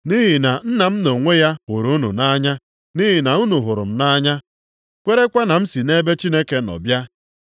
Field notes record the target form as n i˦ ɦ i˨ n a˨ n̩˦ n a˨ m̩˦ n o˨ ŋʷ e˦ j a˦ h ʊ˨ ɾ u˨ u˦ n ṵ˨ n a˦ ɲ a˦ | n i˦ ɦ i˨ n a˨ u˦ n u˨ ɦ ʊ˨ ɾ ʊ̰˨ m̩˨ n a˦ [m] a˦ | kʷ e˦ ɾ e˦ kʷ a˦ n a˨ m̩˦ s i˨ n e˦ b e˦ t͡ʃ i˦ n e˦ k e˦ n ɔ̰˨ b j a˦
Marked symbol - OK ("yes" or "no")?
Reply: no